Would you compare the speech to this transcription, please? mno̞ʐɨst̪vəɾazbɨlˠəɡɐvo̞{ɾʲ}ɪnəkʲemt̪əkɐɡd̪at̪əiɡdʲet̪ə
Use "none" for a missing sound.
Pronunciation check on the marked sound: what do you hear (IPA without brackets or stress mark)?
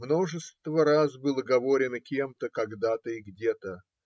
ɾʲ